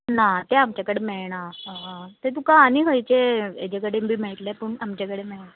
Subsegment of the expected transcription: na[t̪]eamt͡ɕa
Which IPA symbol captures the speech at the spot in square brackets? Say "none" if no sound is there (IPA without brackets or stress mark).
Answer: t̪